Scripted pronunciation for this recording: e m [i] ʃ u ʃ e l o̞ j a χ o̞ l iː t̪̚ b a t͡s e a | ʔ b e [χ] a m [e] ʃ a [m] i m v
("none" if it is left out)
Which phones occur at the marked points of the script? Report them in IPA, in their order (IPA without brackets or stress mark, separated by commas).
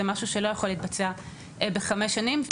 a, χ, e, n